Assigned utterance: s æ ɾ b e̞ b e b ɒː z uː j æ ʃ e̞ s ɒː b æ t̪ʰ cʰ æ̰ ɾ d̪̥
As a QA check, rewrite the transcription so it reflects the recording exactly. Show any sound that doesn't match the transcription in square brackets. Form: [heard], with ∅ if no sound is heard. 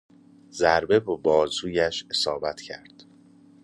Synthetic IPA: [z] æ ɾ b e̞ b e b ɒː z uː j æ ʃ e̞ s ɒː b æ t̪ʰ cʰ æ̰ ɾ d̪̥

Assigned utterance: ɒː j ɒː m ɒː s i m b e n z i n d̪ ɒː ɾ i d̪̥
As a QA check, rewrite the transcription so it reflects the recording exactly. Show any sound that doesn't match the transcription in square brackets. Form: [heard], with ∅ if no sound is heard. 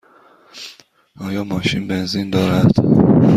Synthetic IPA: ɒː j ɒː m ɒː [ʃ] i [n] b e n z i n d̪ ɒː ɾ [æ] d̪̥

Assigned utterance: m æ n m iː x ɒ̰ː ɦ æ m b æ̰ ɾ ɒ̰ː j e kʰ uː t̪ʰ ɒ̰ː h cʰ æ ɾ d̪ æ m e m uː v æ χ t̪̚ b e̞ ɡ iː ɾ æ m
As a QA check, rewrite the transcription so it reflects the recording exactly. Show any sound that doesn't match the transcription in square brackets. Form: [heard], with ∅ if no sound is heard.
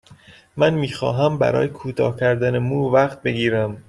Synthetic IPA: m æ n m iː x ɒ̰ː ɦ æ m b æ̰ ɾ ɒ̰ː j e kʰ uː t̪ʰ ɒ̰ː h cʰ æ ɾ d̪ æ [n] e m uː v æ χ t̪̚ b e̞ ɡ iː ɾ æ m

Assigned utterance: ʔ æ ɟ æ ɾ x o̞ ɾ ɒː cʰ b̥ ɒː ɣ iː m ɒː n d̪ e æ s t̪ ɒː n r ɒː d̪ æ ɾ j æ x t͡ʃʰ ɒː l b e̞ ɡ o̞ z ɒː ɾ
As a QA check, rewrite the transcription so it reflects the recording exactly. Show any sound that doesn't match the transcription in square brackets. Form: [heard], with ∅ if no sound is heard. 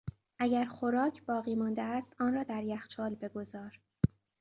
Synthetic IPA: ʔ æ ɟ æ ɾ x o̞ ɾ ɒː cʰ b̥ ɒː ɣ iː m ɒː n d̪ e æ s t̪ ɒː n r ɒː d̪ æ ɾ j æ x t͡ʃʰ ɒː l b e̞ ɡ o̞ z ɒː ɾ

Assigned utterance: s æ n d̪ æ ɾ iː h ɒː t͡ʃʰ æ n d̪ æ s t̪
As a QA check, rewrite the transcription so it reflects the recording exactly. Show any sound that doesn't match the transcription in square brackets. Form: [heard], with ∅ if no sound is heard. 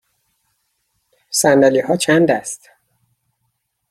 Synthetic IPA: s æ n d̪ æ [l] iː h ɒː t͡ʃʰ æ n d̪ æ s t̪

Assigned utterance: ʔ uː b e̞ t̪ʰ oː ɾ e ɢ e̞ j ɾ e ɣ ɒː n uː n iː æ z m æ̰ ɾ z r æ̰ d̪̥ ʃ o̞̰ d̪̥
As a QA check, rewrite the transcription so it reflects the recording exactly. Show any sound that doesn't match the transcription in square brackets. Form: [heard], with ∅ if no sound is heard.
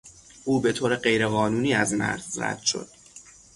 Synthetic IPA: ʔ uː b e̞ t̪ʰ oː ɾ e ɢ e̞ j ɾ e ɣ ɒː n uː n iː æ z m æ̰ ɾ z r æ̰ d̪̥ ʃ o̞̰ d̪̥

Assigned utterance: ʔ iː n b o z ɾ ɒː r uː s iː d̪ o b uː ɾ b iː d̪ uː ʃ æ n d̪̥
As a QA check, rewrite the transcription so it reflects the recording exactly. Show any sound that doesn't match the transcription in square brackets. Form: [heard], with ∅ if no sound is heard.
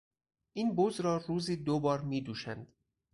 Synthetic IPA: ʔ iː n b o z ɾ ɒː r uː [z] iː d̪ o b [ɒː] ɾ [m] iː d̪ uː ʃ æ n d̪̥

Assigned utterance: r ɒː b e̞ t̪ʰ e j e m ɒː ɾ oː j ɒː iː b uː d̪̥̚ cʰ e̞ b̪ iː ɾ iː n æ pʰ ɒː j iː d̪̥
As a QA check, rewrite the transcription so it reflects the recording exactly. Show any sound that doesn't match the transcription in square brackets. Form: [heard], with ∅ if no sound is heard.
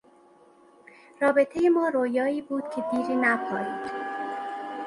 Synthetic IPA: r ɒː b e̞ t̪ʰ e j e m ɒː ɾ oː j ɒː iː b uː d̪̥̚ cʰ e̞ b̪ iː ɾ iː n æ pʰ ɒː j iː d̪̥

